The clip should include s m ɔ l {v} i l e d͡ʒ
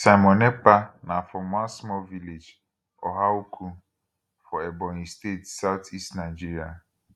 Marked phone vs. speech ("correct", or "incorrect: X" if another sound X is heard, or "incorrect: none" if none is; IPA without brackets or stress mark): correct